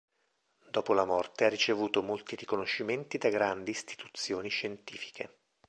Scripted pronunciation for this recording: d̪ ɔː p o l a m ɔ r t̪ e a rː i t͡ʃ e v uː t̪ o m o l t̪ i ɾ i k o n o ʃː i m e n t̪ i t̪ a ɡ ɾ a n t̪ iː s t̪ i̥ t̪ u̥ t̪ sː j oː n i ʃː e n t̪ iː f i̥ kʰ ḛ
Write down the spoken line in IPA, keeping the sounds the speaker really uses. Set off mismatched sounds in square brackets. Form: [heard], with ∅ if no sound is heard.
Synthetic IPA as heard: d̪ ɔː p o l a m ɔ r t̪ e a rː i t͡ʃ e v uː t̪ o m o l t̪ i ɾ i k o n o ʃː i m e n t̪ i [d̪] a ɡ ɾ a n [d̪] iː s t̪ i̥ t̪ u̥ t̪ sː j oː n i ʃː e n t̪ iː f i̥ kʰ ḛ

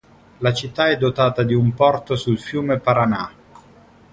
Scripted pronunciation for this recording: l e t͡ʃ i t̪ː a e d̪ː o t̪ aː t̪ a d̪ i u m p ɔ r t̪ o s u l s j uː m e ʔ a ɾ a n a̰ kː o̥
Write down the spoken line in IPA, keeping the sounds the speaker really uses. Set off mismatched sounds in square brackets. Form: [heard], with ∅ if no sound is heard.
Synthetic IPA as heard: l [a] t͡ʃ i t̪ː a [ɛ] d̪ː o t̪ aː t̪ a d̪ i u m p ɔ r t̪ o s u l [f] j uː m e [p] a ɾ a n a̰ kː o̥

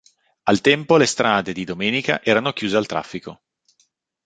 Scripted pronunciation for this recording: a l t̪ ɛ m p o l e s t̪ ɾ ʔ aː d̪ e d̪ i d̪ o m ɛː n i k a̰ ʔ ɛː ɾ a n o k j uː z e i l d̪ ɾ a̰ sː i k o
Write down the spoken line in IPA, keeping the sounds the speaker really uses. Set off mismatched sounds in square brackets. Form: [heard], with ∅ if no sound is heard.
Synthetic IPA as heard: a l t̪ ɛ m p o l e s t̪ ɾ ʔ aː d̪ e d̪ i d̪ o m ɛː n i k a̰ ʔ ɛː ɾ a n o k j uː z e [a] l [t̪] ɾ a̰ [fː] i k o

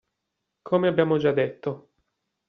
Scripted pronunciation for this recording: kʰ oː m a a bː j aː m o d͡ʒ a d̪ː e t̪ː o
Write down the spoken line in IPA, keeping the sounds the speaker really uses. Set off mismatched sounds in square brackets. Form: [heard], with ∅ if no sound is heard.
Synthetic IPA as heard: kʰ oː m [e] a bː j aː m o d͡ʒ a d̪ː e t̪ː o

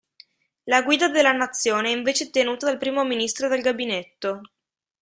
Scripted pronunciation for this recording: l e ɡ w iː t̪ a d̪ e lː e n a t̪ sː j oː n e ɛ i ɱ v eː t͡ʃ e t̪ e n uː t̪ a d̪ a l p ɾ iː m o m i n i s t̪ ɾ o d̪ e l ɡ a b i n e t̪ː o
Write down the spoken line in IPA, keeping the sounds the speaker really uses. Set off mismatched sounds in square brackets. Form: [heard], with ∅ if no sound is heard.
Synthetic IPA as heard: l [a] ɡ w iː [d̪] a d̪ e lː [a] n a t̪ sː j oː n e ɛ i ɱ v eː t͡ʃ e t̪ e n uː t̪ a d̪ a l p ɾ iː m o m i n i s t̪ ɾ o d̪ e l ɡ a b i n e t̪ː o

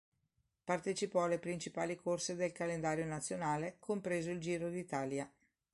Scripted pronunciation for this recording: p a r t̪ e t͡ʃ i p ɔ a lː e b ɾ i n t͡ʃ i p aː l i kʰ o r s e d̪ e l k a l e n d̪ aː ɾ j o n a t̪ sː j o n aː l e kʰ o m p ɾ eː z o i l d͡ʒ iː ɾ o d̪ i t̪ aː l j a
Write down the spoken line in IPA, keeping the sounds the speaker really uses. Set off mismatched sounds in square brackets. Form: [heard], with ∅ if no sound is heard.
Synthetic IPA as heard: p a r t̪ e t͡ʃ i p ɔ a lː e [p] ɾ i n t͡ʃ i p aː l i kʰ o r s e d̪ e l k a l e n d̪ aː ɾ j o n a t̪ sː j o n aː l e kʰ o m p ɾ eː z o i l d͡ʒ iː ɾ o d̪ i t̪ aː l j a

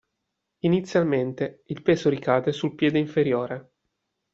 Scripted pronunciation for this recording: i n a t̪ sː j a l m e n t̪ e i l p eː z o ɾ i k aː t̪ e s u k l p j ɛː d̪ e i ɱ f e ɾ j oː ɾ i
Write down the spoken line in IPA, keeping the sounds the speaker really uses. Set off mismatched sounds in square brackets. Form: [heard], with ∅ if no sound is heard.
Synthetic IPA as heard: i n [i] t̪ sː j a l m e n t̪ e i l p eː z o ɾ i k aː [d̪] e s u [∅] l p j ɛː d̪ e i ɱ f e ɾ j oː ɾ [e]

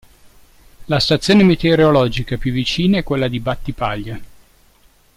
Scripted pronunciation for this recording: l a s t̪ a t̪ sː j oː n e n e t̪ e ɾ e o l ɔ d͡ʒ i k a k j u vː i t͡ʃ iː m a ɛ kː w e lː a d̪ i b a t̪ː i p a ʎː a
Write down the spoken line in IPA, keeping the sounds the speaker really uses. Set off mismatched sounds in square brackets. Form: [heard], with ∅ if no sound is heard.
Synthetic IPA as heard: l a s t̪ a t̪ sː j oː n e [m] e t̪ e ɾ e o l ɔ d͡ʒ i k a [p] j u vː i t͡ʃ iː [n] a ɛ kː w e lː a d̪ i b a t̪ː i p a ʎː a

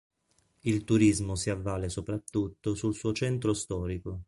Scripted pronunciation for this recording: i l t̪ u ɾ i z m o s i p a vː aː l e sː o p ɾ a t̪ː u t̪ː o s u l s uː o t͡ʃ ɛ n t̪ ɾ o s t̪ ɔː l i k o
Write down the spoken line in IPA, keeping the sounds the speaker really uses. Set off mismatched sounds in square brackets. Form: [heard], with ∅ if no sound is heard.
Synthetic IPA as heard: i l t̪ u ɾ i z m o s i [∅] a vː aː l e [s] o p ɾ a t̪ː u t̪ː o s u l s uː o t͡ʃ ɛ n t̪ ɾ o s t̪ ɔː [ɾ] i k o

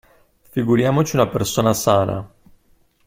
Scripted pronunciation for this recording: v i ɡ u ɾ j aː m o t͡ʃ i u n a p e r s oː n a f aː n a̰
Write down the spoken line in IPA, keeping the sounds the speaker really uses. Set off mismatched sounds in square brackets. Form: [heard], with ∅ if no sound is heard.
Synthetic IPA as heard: [f] i ɡ u ɾ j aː m o t͡ʃ i u n a p e r s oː n a [s] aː n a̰

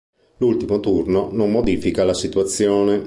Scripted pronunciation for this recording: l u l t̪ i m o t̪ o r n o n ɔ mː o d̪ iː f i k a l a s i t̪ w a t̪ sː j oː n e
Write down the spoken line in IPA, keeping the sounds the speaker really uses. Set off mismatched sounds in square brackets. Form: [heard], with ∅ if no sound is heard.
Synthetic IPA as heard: l u l t̪ i m o t̪ [u] r n o n [o] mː o d̪ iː f i k a l a s i t̪ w a t̪ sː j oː n e

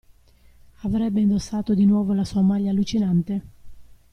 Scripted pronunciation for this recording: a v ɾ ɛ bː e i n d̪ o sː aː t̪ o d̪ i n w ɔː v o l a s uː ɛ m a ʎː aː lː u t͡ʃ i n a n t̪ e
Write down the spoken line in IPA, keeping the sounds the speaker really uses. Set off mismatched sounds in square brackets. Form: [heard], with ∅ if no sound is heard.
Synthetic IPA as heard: a v ɾ ɛ bː e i n d̪ o sː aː t̪ o d̪ i n w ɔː v o l a s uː [a] m a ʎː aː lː u t͡ʃ i n a n t̪ e

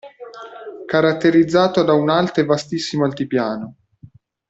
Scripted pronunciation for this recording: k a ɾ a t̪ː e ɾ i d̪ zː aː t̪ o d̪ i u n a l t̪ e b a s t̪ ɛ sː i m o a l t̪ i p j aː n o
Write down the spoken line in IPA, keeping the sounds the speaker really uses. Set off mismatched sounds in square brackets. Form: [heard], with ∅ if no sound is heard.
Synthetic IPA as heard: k a ɾ a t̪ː e ɾ i d̪ zː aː t̪ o d̪ [a] u n a l t̪ e [v] a s t̪ [i] sː i m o a l t̪ i p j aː n o

